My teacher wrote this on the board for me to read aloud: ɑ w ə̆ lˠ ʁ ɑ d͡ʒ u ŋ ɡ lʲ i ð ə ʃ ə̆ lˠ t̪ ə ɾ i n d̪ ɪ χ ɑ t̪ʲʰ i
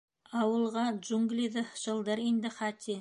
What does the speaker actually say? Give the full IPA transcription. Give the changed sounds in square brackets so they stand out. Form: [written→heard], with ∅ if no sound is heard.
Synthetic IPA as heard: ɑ w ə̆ lˠ ʁ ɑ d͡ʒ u ŋ ɡ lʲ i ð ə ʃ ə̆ lˠ [t̪→d̪] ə ɾ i n d̪ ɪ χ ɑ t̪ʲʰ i